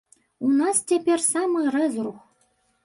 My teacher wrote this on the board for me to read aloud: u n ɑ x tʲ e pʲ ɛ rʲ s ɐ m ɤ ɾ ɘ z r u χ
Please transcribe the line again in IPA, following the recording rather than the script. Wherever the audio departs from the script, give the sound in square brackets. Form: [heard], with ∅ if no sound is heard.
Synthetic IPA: u n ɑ [s] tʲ e pʲ [e] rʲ s [ɑ] m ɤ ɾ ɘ z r u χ